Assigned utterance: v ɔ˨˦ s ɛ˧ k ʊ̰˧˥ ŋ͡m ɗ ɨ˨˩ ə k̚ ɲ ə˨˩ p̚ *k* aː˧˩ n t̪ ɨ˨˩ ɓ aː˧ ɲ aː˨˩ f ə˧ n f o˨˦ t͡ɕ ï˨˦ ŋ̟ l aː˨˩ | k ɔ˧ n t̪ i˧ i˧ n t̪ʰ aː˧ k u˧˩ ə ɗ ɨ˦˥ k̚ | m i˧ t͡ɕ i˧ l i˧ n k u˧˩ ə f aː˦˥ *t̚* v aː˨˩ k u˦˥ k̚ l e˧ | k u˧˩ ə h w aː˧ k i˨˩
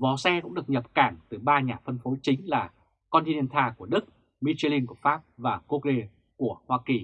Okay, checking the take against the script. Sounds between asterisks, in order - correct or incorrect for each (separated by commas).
correct, incorrect